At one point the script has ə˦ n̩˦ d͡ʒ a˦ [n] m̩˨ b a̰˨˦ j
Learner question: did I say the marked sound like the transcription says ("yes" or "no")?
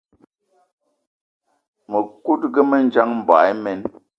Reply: no